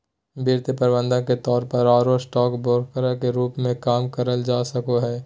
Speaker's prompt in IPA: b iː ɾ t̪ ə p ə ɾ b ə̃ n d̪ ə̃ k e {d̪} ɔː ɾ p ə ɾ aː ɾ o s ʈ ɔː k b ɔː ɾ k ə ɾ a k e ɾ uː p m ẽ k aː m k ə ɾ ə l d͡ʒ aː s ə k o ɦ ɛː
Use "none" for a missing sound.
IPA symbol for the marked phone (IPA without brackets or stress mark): t̪